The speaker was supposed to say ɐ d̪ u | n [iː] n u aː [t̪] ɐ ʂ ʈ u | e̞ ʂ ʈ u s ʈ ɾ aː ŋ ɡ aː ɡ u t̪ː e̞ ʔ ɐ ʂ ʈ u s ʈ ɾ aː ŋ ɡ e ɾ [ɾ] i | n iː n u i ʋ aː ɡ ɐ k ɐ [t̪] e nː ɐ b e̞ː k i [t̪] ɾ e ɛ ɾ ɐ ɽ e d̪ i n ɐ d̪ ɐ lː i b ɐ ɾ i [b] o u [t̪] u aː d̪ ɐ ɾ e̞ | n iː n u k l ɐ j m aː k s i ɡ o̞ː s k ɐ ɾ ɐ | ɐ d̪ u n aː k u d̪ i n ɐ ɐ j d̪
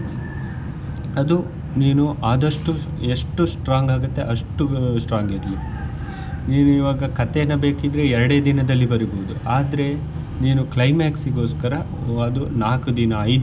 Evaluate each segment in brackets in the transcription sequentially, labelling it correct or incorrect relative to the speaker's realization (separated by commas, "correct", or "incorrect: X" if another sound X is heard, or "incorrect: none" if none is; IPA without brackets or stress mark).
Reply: correct, incorrect: d̪, incorrect: l, correct, incorrect: d̪, correct, incorrect: d̪